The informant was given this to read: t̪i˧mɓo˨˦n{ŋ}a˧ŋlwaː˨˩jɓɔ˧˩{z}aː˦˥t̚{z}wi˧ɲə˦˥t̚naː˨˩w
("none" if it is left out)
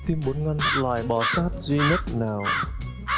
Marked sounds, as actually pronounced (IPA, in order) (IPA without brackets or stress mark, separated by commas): ŋ, s, z